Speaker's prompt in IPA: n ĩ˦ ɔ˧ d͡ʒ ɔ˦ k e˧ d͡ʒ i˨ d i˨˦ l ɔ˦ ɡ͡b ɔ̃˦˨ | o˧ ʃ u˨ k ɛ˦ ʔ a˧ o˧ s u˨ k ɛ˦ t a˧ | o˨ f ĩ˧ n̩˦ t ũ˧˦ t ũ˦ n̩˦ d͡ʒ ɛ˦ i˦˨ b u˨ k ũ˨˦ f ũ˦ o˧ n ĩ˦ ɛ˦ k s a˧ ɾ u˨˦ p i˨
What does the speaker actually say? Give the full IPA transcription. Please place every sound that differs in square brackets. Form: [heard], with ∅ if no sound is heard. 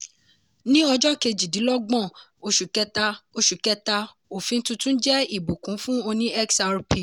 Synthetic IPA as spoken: n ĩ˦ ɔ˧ d͡ʒ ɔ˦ k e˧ d͡ʒ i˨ d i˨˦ l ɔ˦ ɡ͡b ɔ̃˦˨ | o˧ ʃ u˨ k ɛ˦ [t] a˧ o˧ [ʃ] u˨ k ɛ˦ t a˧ | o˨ f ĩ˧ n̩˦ t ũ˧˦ t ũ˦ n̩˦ d͡ʒ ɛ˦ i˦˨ b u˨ k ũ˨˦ f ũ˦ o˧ n ĩ˦ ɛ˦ k s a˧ ɾ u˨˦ p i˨